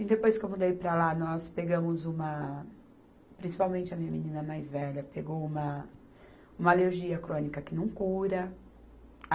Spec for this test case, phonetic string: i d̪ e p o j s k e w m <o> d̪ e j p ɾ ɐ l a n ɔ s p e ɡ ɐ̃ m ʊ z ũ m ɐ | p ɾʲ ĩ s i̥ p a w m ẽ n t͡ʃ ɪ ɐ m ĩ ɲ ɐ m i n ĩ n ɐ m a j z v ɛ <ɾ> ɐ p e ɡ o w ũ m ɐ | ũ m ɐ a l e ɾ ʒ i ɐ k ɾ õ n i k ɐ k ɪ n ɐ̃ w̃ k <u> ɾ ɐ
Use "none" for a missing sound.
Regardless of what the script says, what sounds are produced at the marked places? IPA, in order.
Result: u, ʎ, u

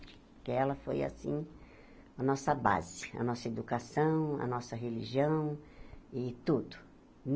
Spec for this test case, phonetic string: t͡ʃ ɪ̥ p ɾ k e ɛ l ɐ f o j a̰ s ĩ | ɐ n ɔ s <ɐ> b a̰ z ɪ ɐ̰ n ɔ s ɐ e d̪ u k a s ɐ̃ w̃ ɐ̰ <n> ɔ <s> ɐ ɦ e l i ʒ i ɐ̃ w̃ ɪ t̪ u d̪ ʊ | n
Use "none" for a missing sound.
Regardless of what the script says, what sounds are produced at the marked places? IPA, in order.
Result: ɐ, n, s

